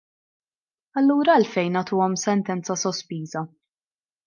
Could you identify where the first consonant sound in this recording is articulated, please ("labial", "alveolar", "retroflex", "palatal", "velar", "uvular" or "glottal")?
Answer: alveolar